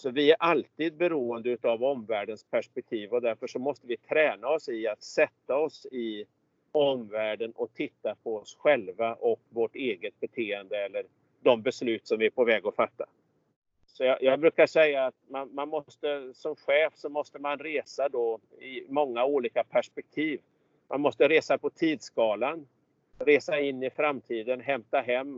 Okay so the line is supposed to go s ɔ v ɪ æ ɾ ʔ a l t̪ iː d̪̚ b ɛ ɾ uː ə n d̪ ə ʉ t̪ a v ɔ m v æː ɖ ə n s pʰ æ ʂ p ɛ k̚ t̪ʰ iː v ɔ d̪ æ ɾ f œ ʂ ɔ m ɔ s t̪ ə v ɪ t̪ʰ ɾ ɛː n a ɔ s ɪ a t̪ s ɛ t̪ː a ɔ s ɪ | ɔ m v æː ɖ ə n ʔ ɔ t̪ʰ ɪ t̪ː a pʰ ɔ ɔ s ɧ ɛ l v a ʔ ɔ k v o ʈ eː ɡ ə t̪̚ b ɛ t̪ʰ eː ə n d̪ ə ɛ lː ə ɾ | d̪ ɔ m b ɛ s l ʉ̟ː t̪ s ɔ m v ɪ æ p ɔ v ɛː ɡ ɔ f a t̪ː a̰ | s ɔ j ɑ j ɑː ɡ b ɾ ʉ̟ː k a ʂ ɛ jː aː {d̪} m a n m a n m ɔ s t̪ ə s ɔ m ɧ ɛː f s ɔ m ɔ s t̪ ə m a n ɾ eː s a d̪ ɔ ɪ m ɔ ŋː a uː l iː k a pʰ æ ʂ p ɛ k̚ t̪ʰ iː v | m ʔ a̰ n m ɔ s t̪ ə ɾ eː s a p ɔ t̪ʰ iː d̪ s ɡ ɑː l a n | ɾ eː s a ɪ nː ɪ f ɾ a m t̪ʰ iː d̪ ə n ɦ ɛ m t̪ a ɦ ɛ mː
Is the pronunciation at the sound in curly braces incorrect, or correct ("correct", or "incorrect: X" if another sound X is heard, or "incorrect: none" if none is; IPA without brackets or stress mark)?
incorrect: t̪